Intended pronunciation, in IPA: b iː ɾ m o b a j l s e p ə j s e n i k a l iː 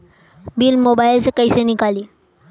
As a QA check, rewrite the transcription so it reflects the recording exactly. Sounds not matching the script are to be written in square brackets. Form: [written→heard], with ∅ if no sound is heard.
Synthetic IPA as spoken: b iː [ɾ→l] m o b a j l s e [p→k] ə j s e n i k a l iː